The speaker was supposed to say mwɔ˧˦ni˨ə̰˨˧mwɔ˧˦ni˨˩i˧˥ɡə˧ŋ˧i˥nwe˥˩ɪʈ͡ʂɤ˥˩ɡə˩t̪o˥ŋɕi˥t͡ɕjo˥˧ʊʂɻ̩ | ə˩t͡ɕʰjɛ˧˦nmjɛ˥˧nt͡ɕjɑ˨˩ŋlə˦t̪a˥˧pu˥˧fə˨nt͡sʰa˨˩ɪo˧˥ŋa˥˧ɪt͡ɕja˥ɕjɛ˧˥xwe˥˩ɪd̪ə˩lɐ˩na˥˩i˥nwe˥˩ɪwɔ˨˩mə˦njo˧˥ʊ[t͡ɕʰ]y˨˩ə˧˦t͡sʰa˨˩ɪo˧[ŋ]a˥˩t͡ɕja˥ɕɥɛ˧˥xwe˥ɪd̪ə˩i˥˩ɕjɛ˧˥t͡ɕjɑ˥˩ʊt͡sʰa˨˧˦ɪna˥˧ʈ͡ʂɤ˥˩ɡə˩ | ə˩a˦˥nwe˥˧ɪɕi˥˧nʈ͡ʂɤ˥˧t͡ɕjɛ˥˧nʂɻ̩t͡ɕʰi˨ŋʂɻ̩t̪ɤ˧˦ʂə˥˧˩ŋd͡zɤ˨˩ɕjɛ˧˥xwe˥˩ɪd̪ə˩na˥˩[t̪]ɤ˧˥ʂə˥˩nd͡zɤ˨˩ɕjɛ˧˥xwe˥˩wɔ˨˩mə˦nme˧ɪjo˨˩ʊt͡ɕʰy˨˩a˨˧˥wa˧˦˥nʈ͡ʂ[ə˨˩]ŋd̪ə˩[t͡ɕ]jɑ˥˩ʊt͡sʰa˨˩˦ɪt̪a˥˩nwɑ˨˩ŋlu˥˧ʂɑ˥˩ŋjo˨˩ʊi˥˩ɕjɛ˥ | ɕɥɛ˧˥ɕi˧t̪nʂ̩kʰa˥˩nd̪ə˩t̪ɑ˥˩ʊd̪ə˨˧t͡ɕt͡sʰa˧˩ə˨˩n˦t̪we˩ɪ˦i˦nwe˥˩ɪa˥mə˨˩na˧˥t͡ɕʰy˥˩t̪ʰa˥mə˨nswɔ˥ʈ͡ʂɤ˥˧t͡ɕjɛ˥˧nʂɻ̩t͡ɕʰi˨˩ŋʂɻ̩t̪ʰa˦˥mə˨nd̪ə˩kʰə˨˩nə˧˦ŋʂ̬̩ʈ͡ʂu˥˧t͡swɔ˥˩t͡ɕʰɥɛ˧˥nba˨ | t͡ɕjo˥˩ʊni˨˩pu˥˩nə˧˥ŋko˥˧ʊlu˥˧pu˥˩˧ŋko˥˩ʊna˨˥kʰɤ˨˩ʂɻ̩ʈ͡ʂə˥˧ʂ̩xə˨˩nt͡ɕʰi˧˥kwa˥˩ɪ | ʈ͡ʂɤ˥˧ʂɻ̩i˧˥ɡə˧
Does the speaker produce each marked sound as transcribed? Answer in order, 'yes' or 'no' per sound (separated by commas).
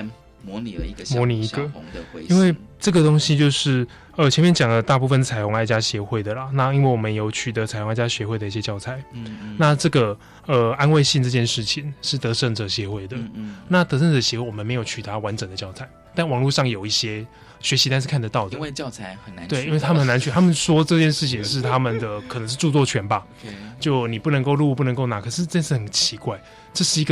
yes, yes, yes, yes, yes